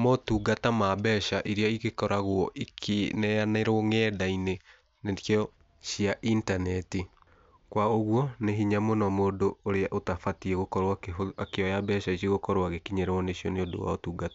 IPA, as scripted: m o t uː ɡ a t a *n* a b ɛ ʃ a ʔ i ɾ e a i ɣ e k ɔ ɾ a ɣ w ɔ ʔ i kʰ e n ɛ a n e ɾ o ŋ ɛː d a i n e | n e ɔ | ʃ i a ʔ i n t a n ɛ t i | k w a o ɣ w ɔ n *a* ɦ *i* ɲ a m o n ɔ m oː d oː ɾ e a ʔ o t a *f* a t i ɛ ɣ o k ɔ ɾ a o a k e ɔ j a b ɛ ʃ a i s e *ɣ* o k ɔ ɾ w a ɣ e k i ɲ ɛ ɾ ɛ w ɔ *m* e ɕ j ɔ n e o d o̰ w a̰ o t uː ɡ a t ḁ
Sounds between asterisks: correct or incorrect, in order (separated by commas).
incorrect, incorrect, correct, correct, correct, incorrect